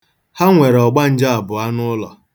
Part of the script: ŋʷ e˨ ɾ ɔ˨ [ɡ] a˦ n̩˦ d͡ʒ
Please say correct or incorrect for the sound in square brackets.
incorrect